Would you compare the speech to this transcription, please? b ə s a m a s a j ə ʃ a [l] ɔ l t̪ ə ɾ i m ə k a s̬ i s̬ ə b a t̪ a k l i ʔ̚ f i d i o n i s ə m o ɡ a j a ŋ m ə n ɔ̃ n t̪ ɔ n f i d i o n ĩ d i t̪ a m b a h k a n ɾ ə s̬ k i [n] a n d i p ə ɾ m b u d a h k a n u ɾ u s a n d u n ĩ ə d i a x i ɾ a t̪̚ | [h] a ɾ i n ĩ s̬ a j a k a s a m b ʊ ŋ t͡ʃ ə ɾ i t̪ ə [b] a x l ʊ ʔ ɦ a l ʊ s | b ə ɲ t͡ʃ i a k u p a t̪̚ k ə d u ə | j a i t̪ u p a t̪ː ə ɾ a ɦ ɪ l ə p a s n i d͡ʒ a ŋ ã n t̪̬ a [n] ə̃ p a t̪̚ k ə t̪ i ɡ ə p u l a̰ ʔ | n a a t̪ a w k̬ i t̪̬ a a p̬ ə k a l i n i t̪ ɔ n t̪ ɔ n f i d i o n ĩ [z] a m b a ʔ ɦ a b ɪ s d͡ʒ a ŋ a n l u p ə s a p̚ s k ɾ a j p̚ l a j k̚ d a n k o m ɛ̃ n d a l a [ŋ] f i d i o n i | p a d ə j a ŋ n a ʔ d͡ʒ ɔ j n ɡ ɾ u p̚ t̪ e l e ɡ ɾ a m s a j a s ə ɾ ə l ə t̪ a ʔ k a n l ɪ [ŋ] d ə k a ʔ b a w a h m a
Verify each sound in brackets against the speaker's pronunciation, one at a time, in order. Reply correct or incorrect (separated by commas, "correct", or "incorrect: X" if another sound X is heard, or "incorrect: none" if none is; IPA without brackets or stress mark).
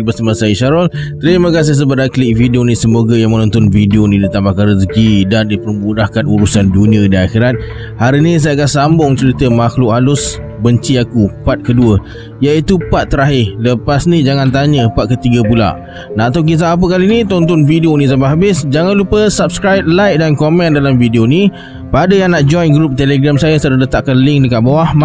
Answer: incorrect: ɾ, incorrect: d, correct, incorrect: m, incorrect: ɲ, incorrect: s, incorrect: m, correct